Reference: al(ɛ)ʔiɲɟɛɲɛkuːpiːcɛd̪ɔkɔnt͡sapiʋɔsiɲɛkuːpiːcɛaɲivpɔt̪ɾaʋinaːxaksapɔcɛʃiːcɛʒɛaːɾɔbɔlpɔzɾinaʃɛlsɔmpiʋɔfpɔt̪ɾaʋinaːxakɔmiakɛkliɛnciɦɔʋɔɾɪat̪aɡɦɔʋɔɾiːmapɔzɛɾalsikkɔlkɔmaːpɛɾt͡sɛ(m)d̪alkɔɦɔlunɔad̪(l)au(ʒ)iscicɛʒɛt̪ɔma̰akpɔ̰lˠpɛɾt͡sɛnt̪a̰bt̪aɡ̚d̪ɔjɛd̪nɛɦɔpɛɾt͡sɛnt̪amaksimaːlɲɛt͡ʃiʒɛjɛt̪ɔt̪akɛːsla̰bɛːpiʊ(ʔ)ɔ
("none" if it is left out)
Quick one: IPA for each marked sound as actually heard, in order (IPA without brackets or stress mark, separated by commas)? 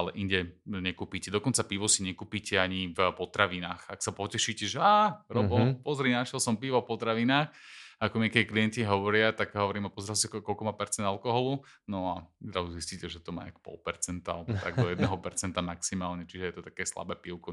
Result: ɛ, n, ɾ, z, k